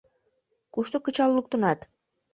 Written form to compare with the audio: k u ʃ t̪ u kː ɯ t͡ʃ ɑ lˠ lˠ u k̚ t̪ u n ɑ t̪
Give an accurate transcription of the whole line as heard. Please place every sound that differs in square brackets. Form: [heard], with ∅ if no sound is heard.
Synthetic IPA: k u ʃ t̪ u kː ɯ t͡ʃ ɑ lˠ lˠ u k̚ t̪ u n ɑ t̪